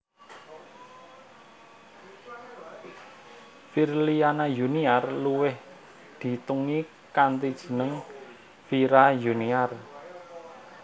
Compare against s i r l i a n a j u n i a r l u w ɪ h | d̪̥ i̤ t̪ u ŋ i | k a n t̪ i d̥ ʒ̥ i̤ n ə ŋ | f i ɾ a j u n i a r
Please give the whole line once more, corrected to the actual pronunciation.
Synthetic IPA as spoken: f i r l i a n a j u n i a r l u w ɪ h | d̪̥ i̤ t̪ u ŋ i | k a n t̪ i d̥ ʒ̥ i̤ n ə ŋ | f i ɾ a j u n i a r